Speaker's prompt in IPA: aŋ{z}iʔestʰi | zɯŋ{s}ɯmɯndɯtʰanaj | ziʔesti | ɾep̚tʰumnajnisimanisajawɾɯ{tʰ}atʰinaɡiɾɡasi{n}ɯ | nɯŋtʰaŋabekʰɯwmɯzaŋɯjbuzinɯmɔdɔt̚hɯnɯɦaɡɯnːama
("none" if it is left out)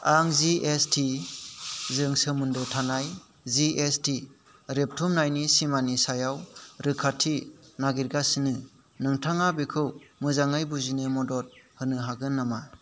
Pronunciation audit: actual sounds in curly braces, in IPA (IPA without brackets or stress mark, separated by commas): z, s, kʰ, n